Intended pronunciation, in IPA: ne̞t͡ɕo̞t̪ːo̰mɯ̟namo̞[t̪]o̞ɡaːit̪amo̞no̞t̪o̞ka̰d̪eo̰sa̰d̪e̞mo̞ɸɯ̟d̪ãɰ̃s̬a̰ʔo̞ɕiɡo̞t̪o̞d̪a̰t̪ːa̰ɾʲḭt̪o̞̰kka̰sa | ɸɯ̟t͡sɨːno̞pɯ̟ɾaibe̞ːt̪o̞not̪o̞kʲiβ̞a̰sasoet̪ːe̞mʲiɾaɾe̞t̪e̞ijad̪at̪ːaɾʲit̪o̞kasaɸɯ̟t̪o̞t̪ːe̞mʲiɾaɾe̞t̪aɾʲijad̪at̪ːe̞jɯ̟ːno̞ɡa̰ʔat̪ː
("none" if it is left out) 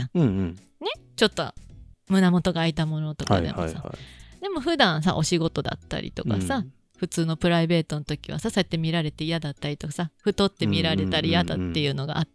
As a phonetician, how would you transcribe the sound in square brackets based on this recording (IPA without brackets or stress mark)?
t̪